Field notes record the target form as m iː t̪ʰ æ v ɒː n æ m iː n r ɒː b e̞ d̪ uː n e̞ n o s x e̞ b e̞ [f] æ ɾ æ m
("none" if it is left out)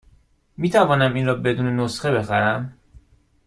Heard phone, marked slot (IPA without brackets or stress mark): x